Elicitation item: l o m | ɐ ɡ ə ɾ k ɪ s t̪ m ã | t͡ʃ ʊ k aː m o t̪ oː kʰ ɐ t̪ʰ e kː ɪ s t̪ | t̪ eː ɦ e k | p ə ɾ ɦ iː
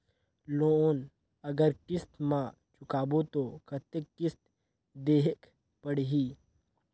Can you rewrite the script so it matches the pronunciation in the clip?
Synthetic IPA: l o n | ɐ ɡ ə ɾ k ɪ s t̪ m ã | t͡ʃ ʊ k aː b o t̪ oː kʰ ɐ t̪ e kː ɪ s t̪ | d̪ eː ɦ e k | p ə ɽ ɦ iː